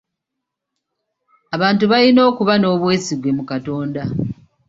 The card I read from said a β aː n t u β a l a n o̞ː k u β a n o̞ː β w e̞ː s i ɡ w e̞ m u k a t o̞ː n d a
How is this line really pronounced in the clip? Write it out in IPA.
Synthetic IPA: a β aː n t u β a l i n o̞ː k u β a n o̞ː β w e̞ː s i ɡ w e̞ m u k a t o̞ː n d a